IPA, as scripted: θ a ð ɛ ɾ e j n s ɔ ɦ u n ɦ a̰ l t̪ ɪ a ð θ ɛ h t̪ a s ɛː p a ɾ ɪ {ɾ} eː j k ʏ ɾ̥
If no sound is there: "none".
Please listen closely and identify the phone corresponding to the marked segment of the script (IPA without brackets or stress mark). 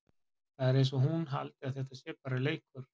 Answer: l